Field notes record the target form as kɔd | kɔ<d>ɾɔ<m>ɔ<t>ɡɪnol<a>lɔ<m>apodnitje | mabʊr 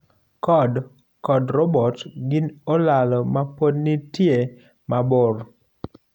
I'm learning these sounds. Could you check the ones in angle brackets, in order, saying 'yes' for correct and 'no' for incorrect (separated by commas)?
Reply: yes, no, yes, yes, yes